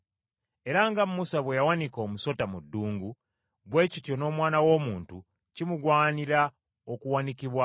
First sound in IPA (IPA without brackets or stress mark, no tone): e̞